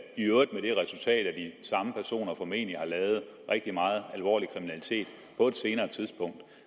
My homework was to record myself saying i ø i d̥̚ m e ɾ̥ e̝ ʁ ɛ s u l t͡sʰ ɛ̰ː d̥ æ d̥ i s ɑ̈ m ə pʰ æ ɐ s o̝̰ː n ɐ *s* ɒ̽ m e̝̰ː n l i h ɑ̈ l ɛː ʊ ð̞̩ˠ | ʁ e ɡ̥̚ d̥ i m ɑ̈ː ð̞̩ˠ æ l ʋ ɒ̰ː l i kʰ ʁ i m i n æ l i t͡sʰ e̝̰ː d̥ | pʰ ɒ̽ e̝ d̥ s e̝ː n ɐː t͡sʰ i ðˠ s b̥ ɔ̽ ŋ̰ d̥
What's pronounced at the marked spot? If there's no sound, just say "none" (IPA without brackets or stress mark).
f